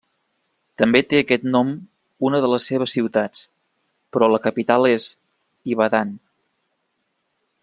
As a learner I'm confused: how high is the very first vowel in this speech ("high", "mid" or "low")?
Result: mid